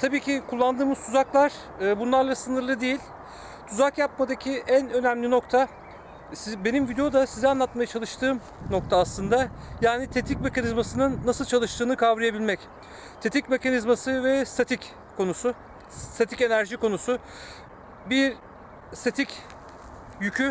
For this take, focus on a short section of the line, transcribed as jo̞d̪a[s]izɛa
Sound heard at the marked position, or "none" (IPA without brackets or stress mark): s